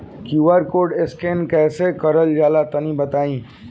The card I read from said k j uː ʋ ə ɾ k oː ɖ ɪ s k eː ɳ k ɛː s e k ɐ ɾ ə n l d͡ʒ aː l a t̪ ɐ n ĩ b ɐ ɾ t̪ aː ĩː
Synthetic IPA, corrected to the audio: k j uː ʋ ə ɾ k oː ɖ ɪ s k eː n k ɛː s e k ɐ ɾ ə l d͡ʒ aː l a t̪ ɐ n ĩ b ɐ t̪ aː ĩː